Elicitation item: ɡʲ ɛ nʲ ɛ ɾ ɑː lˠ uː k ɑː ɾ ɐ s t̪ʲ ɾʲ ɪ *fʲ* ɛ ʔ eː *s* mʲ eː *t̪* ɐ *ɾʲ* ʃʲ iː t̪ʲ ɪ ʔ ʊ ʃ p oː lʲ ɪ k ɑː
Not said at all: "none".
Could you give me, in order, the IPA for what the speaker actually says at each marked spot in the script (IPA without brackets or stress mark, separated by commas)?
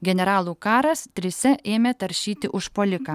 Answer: sʲ, none, t̪, ɾʲ